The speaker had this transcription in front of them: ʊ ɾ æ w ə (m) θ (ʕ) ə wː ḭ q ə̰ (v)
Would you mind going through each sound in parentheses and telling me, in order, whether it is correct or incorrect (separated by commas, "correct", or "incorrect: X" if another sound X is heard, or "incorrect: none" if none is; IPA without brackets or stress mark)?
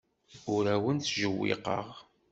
incorrect: n, incorrect: ʒ, incorrect: ʁ